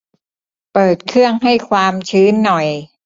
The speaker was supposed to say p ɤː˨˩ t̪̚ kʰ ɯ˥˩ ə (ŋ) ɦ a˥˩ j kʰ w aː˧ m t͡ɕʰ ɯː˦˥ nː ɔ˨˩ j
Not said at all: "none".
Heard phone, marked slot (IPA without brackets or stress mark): ŋ